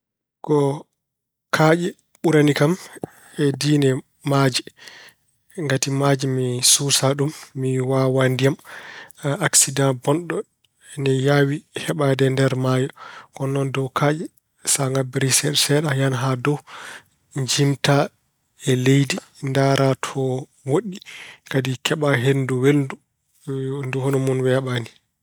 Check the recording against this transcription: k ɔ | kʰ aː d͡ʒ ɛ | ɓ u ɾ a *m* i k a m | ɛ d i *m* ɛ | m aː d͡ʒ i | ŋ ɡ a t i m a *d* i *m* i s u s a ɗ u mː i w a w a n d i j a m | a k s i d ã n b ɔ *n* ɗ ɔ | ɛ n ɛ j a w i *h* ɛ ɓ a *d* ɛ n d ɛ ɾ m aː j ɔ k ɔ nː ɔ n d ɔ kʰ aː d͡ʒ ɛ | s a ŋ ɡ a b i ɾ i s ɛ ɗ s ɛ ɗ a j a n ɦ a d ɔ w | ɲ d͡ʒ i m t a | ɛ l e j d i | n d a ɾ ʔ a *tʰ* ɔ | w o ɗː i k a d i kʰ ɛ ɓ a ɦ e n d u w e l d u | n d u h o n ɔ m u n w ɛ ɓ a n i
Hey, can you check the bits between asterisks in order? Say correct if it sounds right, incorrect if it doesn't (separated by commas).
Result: incorrect, incorrect, incorrect, correct, correct, correct, correct, correct